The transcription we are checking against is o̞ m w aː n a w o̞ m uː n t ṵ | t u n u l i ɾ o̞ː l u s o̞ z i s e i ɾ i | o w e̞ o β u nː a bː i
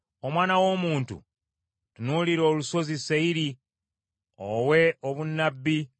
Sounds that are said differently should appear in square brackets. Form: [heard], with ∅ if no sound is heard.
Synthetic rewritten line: o̞ m w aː n a w o̞ m uː n t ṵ | t u n u l i ɾ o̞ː l u s o̞ z i s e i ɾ i | o w e̞ o β u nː a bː i

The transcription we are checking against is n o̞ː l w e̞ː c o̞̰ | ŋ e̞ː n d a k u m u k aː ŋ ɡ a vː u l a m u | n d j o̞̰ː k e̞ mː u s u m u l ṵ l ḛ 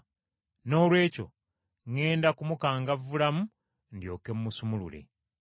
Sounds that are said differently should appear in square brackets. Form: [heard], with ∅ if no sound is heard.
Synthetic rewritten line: n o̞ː l w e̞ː c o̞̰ | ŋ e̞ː n d a k u m u k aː ŋ ɡ a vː u l a m u | n d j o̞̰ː k e̞ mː u s u m u l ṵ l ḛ

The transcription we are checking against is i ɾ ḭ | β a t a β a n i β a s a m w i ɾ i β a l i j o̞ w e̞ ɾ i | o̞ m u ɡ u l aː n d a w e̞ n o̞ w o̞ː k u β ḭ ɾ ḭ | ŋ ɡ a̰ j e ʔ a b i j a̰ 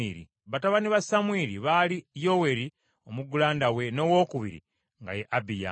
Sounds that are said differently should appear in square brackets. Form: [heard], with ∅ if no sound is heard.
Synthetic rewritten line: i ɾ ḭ | β a t a β a n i β a s a m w i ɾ i β a l i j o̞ w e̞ ɾ i | o̞ m u ɡ u l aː n d a w e̞ n o̞ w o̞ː k u β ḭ ɾ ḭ | ŋ ɡ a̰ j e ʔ a b i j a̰

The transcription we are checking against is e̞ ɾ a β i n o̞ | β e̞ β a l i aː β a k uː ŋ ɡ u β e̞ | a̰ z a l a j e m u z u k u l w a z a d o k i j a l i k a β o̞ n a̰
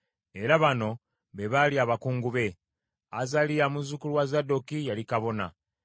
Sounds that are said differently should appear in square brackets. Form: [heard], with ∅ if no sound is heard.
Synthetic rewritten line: e̞ ɾ a β [a] n o̞ | β e̞ β a l i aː β a k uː ŋ ɡ u β e̞ | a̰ z a l [i] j [a] m u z u k u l w a z a d o k i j a l i k a β o̞ n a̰

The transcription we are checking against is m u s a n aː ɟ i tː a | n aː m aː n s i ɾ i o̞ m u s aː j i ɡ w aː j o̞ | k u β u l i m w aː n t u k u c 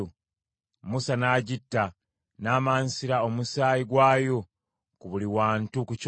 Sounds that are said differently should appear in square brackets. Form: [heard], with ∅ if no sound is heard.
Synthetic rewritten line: m u s a n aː ɟ i tː a | n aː m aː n s i ɾ [a] o̞ m u s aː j i ɡ w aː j o̞ | k u β u l i [∅] w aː n t u k u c

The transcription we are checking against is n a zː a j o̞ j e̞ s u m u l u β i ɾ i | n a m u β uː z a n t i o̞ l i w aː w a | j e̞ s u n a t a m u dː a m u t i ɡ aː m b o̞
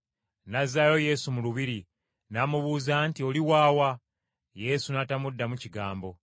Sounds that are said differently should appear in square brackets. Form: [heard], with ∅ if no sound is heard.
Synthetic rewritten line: n a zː a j o̞ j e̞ s u m u l u β i ɾ i | n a m u β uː z a n t i o̞ l i w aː w a | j e̞ s u n a t a m u dː a m u [c] i ɡ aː m b o̞

